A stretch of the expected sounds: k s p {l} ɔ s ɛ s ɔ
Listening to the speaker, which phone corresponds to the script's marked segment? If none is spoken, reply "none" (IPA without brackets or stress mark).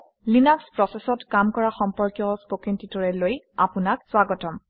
ɹ